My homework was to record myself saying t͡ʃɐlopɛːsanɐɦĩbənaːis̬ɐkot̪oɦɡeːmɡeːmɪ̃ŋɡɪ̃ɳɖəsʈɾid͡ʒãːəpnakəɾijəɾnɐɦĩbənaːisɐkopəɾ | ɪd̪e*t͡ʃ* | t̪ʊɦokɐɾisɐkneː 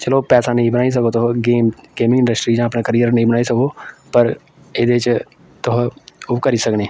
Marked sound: correct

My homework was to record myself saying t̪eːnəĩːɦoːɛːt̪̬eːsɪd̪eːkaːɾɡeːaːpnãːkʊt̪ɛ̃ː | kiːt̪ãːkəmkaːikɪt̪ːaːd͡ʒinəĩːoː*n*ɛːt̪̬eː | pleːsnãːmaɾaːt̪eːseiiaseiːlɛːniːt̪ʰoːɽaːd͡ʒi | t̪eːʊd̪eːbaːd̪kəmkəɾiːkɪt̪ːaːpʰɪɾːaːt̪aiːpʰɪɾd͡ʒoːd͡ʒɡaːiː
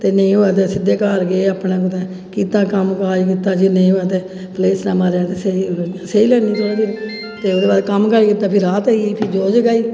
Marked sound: incorrect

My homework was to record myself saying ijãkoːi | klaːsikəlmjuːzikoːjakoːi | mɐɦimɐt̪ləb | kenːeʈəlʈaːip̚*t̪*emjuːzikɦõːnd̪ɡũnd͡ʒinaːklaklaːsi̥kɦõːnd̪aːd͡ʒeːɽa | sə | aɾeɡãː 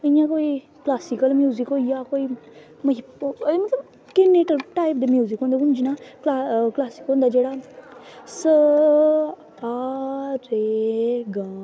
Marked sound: incorrect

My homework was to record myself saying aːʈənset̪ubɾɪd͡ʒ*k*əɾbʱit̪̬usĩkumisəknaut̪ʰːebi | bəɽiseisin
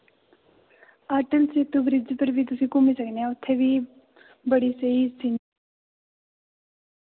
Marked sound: incorrect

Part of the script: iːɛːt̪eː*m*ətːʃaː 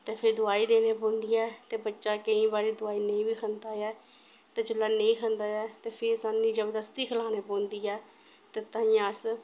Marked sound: incorrect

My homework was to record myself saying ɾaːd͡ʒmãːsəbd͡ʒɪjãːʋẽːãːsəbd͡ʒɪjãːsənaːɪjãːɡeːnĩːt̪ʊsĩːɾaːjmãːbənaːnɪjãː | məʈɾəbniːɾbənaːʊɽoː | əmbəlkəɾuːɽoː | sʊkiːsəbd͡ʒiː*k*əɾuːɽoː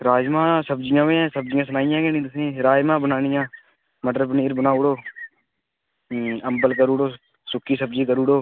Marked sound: correct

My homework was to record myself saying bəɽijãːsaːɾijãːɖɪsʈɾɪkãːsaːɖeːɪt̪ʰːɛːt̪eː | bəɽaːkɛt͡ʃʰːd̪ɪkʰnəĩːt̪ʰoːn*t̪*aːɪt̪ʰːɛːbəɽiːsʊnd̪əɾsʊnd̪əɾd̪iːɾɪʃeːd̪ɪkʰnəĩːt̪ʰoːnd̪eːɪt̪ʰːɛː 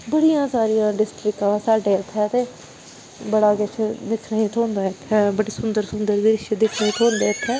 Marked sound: incorrect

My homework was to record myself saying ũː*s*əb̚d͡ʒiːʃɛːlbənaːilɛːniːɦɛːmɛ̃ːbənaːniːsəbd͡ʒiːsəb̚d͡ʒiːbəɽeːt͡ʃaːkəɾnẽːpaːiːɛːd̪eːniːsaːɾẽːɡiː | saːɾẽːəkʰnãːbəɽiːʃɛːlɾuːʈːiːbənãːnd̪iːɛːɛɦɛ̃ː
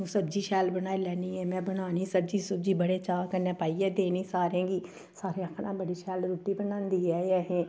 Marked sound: correct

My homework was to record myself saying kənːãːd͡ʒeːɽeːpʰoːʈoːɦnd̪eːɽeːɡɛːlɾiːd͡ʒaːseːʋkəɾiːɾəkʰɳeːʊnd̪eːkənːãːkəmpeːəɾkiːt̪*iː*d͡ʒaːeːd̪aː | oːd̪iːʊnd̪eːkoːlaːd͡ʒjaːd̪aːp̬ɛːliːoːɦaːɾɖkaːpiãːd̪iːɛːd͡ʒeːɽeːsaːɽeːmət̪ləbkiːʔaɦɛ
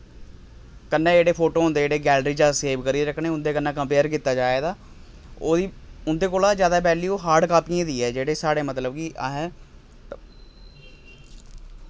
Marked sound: incorrect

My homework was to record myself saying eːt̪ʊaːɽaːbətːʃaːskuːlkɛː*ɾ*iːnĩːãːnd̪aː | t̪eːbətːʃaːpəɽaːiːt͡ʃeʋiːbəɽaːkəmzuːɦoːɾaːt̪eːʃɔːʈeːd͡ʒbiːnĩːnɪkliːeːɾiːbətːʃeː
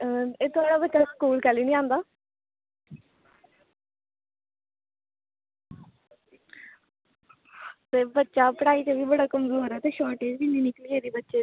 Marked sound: incorrect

